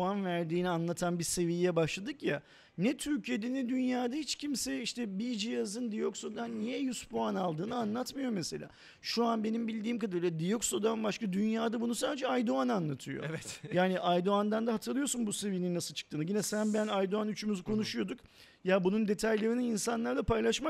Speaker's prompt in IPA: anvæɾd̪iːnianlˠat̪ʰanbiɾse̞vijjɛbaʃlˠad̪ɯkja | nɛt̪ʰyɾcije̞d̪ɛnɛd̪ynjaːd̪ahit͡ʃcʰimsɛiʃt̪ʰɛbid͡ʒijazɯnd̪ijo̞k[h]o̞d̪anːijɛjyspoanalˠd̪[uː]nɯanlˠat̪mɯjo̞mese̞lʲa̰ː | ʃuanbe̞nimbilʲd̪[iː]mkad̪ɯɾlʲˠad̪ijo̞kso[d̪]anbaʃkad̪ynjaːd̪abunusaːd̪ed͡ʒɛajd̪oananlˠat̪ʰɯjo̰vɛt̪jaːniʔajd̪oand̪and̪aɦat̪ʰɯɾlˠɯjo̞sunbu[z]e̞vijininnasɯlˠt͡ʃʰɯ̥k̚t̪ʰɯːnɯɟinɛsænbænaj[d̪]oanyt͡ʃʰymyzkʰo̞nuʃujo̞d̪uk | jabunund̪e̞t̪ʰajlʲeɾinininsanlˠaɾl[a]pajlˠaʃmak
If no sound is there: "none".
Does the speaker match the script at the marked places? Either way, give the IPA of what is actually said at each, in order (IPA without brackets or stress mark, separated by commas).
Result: s, ɯː, iː, d̪, s, d̪, a